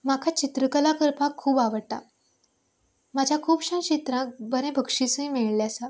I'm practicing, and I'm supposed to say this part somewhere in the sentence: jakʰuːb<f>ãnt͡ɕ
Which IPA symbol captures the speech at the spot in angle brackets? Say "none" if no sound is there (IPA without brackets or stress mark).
ɕ